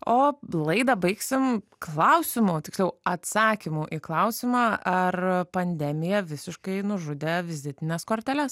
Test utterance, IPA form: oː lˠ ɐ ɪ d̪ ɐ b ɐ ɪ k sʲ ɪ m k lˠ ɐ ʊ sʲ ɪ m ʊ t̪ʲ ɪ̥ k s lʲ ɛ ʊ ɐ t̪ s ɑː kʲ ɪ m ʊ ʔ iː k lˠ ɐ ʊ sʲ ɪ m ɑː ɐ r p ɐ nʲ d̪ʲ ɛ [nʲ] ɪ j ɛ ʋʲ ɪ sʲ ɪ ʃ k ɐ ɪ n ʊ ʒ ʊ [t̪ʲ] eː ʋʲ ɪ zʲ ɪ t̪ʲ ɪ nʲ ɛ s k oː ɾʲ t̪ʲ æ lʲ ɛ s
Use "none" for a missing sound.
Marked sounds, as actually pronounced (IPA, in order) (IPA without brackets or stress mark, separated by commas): mʲ, d̪ʲ